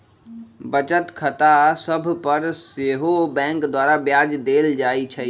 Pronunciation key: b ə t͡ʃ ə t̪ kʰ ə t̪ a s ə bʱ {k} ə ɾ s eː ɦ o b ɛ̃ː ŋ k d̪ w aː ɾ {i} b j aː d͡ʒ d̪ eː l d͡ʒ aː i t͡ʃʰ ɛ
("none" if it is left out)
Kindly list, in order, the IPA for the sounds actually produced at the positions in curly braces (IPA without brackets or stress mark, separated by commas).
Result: p, a